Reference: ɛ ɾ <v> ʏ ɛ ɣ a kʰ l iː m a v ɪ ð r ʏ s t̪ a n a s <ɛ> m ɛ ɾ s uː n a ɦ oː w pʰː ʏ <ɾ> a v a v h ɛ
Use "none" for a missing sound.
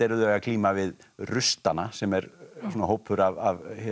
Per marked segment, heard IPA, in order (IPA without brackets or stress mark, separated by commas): ð, ɛ, ɾ